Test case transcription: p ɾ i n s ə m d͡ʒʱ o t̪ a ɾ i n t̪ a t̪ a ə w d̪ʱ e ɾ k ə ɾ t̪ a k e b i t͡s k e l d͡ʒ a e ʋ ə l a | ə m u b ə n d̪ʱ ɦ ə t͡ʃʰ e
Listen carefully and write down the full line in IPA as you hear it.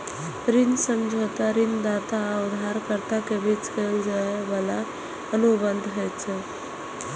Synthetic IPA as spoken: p ɾ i n s ə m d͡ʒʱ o t̪ a ɾ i n d̪ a t̪ a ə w d̪ʱ a ɾ k ə ɾ t̪ a k e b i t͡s k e l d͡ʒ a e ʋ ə l a | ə n u b ə n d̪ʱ ɦ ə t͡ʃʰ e